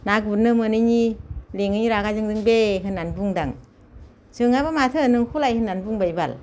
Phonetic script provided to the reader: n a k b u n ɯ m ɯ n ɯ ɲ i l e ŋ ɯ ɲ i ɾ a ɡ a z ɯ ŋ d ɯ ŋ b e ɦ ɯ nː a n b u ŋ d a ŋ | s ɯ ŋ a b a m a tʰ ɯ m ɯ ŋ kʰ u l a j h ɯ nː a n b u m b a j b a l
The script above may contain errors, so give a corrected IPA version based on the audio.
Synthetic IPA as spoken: n a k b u n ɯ m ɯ n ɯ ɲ i l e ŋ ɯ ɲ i ɾ a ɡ a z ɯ ŋ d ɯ ŋ b e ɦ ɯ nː a n b u ŋ d a ŋ | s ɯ ŋ a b a m a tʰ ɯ n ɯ ŋ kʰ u l a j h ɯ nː a n b u ŋ b a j b a l

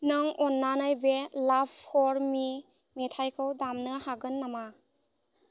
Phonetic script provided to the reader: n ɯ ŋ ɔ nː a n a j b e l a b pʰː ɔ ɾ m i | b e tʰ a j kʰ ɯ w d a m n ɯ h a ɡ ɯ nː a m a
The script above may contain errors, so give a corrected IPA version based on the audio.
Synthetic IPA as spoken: n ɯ ŋ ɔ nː a n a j b e l a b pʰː ɔ ɾ m i | m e tʰ a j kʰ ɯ w d a m n ɯ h a ɡ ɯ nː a m a

